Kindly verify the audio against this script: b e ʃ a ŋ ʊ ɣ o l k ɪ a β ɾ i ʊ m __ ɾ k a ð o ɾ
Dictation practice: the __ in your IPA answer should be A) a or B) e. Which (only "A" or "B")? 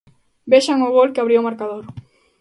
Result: A